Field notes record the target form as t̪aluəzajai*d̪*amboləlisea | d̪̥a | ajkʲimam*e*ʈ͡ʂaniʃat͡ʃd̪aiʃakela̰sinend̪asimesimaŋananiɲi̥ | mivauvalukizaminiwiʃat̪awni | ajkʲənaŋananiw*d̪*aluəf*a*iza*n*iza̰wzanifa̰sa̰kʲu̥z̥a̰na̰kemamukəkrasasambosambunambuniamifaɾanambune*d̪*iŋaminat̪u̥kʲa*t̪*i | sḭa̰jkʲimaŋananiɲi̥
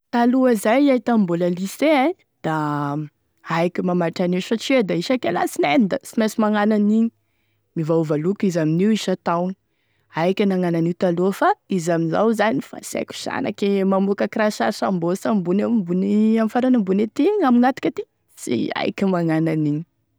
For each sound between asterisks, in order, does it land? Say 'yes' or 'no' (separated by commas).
no, no, no, yes, no, no, yes